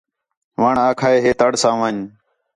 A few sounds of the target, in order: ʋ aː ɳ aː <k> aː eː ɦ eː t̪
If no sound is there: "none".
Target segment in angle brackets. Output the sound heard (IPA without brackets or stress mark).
kʰ